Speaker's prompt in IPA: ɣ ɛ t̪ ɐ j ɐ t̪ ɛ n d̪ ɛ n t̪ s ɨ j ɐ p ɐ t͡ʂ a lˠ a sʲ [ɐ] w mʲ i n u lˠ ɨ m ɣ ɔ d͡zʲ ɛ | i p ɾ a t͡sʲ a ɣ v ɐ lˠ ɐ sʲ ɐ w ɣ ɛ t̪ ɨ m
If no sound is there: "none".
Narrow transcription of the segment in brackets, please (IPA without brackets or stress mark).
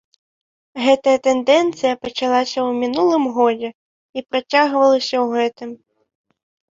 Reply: ɐ